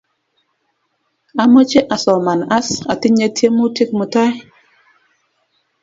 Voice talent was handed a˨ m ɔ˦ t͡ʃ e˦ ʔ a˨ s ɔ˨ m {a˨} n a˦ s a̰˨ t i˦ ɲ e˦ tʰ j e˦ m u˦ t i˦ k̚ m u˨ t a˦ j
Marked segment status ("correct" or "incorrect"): correct